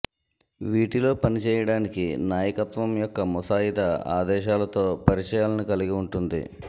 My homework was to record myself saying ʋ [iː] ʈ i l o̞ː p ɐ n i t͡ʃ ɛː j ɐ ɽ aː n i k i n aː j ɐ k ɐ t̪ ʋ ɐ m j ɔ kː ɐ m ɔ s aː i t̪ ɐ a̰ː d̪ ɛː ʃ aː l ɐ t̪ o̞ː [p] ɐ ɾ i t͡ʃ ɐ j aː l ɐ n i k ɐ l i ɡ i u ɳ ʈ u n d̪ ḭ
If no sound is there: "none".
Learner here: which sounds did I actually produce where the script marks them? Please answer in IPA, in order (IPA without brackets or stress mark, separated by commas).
iː, p